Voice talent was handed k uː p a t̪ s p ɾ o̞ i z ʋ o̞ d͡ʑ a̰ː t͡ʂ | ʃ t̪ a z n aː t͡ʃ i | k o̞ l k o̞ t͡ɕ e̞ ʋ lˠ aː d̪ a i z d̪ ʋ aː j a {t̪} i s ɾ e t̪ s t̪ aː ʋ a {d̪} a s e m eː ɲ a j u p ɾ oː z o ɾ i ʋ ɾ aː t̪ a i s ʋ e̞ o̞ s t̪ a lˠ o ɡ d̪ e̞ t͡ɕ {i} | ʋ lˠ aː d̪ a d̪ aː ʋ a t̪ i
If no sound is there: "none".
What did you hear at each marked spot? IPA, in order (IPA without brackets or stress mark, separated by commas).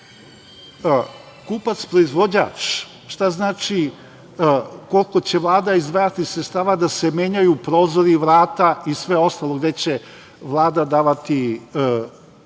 t̪, d̪, e